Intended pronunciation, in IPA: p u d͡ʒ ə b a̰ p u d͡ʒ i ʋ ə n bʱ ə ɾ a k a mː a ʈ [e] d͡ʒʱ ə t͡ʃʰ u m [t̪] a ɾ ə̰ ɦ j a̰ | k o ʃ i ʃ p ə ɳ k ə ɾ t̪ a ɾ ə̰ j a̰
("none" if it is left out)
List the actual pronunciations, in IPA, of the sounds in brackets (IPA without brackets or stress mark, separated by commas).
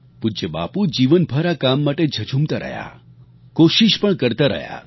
e, t̪